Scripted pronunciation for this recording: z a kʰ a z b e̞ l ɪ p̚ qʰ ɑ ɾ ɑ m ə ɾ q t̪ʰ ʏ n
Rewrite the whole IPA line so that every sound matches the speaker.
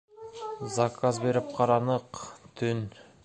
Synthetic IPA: z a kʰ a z b e̞ ɾ ɪ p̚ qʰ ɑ ɾ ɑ n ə q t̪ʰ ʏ n